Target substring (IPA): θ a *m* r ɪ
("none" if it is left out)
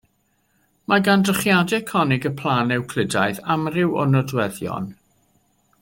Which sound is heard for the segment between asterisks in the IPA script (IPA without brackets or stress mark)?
m